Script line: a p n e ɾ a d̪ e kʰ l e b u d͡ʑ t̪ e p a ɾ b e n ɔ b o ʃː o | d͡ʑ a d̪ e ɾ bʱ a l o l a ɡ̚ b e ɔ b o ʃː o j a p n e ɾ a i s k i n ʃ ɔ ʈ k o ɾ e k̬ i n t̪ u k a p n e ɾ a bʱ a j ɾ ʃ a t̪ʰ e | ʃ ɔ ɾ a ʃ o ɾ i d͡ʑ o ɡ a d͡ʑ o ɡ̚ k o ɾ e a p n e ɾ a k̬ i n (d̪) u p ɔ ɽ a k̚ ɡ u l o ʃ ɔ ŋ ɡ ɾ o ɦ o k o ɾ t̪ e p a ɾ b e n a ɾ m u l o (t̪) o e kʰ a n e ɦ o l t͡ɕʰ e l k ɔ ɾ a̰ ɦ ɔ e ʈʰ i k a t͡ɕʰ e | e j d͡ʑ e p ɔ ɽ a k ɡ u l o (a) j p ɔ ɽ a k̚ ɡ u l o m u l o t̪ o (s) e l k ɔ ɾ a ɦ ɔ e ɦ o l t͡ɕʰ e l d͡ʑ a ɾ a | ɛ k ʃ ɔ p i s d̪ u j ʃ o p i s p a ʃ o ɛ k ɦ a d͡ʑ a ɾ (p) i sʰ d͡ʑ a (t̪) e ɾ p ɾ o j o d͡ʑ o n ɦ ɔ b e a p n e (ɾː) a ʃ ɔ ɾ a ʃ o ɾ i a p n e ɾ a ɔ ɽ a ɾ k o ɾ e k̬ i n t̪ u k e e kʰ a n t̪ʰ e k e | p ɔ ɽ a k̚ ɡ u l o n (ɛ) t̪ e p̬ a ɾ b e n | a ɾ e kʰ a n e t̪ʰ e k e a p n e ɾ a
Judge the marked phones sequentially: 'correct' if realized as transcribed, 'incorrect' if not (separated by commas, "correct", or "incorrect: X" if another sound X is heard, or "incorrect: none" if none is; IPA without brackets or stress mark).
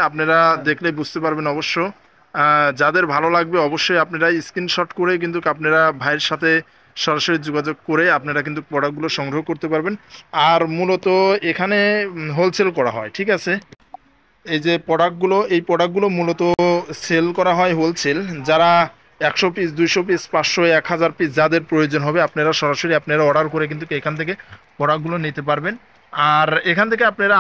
incorrect: t̪, correct, incorrect: e, correct, correct, incorrect: d̪, incorrect: ɾ, incorrect: i